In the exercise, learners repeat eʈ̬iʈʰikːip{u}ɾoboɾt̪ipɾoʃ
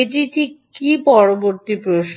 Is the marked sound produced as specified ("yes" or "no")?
no